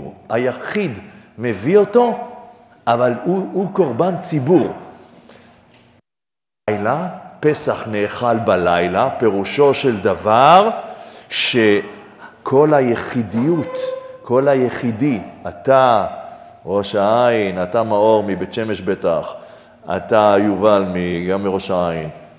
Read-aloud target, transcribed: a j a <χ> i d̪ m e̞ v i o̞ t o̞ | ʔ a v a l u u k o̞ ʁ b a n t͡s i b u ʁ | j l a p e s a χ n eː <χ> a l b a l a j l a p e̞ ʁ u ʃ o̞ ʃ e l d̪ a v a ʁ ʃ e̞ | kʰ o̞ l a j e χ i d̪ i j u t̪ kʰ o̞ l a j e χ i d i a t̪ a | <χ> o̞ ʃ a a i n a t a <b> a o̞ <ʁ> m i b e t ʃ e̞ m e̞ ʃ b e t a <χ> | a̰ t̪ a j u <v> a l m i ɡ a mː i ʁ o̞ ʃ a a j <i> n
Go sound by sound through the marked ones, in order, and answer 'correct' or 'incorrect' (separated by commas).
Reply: correct, correct, incorrect, incorrect, correct, correct, correct, correct